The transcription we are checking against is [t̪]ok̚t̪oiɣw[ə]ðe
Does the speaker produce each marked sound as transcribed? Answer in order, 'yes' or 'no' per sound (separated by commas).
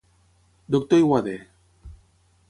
no, no